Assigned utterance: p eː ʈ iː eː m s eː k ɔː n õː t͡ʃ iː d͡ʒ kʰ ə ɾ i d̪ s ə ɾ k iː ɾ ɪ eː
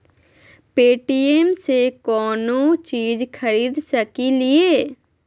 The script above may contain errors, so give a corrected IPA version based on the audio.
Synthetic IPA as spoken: p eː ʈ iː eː m s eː k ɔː n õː t͡ʃ iː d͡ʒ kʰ ə ɾ iː d̪ s ə k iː l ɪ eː